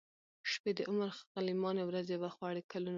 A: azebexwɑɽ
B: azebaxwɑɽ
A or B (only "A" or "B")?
B